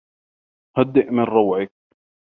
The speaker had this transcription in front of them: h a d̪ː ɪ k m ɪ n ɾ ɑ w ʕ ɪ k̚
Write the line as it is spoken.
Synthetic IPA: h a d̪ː ɪ ʔ m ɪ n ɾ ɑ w ʕ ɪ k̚